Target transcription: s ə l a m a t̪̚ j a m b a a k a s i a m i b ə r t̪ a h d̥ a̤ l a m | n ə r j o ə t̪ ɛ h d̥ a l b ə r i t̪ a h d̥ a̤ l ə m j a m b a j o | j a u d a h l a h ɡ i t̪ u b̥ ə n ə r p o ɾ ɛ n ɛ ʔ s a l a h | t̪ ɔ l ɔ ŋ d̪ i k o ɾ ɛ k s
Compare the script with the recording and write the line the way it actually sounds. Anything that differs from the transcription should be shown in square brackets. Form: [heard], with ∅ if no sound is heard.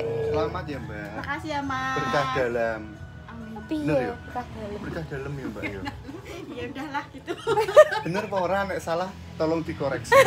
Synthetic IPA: s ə l a m a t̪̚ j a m b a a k a s i a m [a] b ə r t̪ a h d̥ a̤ l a m | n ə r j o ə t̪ [a] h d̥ a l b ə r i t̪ a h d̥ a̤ l ə m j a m b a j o | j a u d a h l a h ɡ i t̪ u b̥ ə n ə r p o ɾ [a] n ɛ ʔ s a l a h | t̪ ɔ l ɔ ŋ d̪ i k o ɾ ɛ k s

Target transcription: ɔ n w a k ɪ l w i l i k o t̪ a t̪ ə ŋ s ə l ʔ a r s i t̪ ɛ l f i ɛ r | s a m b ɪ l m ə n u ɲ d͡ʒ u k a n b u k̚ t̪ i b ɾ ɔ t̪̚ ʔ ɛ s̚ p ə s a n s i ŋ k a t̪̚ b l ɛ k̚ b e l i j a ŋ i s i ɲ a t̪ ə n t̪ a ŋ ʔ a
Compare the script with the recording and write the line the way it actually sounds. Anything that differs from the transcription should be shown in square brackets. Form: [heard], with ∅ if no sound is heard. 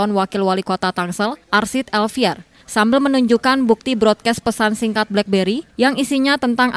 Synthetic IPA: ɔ n w a k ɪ l w [a] l i k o t̪ a t̪ [a] ŋ s ə l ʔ a r s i t̪ ɛ l f i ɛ r | s a m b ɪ l m ə n u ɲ d͡ʒ u k a n b u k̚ t̪ i b ɾ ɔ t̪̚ [k] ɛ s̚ p ə s a n s i ŋ k a t̪̚ b l ɛ k̚ b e [ɾ] i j a ŋ i s i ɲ a t̪ ə n t̪ a ŋ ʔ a

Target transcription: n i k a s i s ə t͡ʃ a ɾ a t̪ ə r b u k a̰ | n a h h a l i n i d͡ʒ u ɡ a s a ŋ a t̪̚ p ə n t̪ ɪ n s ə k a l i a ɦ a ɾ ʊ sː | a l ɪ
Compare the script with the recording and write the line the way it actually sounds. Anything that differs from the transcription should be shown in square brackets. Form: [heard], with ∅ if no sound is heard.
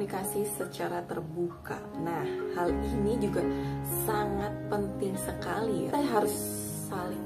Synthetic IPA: n i k a s i s ə t͡ʃ a ɾ a t̪ ə r b u k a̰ | n a h h a l i n i d͡ʒ u ɡ a s a ŋ a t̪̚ p ə n t̪ ɪ [ŋ] s ə k a l i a ɦ a ɾ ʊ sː | a l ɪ

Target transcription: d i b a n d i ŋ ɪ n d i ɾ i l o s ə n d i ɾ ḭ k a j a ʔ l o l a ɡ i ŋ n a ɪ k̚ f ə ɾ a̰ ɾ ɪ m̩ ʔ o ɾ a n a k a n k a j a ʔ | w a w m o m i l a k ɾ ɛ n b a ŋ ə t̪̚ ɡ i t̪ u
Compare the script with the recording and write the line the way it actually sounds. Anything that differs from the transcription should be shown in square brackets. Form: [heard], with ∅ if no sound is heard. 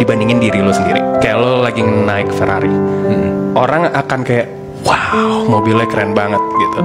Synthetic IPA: d i b a n d i ŋ ɪ n d i ɾ i l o s ə n d i ɾ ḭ k a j a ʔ l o l a ɡ i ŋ n a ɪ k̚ f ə ɾ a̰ ɾ [i] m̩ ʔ o ɾ a [ŋ] a k a n k a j a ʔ | w a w m o [b] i l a k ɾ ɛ n b a ŋ ə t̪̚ ɡ i t̪ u

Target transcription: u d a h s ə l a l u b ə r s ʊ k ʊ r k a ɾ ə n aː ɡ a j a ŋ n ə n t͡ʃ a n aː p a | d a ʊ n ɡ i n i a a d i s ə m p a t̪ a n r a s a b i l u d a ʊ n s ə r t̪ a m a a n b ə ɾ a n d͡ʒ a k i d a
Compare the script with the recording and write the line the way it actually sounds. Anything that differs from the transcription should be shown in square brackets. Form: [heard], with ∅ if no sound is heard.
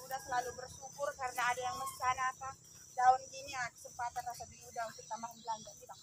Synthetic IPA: u d a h s ə l a l u b ə r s [u] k ʊ r k a ɾ ə n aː [d] a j a ŋ [m] ə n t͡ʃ a n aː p a | d a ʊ n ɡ i n i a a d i s ə m p a t̪ a n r a s a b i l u d a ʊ n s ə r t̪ a m a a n b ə [l] a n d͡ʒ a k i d a

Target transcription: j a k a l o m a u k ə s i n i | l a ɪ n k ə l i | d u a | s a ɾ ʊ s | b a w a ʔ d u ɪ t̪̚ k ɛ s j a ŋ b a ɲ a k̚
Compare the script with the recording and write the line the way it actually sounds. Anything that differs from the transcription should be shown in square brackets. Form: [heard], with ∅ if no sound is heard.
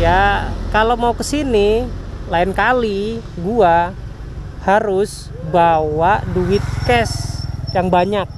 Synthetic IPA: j a k a l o m a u k ə s i n i | l a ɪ n k [a] l i | [ɡ] u a | [h] a ɾ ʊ s | b a w a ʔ d u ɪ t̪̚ k ɛ s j a ŋ b a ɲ a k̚

